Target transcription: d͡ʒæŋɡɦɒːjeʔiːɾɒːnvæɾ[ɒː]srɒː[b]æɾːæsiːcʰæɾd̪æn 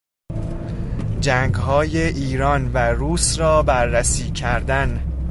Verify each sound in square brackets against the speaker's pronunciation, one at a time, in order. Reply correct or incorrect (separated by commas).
incorrect, correct